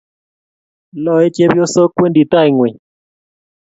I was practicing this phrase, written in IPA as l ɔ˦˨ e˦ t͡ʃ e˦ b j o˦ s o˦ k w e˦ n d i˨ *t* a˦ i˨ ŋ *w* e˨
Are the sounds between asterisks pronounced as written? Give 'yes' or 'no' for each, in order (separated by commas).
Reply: yes, yes